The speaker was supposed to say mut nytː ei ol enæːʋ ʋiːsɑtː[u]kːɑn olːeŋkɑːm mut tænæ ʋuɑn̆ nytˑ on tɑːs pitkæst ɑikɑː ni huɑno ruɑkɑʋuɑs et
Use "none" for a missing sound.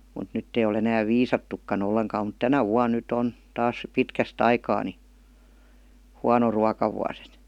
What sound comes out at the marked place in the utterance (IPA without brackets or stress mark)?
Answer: u